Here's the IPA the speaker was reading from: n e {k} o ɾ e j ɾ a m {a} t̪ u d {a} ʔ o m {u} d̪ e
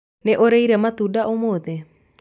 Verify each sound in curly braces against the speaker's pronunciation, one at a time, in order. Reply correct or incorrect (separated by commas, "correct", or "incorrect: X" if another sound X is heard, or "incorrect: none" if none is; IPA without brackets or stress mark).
incorrect: ʔ, correct, correct, incorrect: o